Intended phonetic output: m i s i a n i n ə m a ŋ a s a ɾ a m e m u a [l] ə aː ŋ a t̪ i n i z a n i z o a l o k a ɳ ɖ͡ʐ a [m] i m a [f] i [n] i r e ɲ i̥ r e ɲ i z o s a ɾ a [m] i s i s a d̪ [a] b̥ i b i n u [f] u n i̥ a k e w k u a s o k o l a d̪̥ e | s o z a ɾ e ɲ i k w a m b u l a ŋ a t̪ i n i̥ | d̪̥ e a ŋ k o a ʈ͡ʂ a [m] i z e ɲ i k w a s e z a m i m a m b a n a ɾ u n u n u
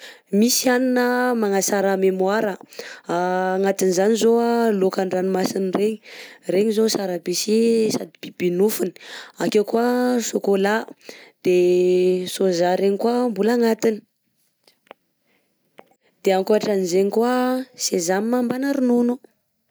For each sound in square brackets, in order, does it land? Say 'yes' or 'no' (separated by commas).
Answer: no, no, no, yes, no, no, yes, no